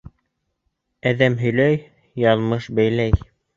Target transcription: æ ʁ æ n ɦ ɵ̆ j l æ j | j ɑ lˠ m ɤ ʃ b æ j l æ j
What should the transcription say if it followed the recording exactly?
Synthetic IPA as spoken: æ ð æ m ɦ ɵ̆ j l æ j | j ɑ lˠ m ɤ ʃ b æ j l æ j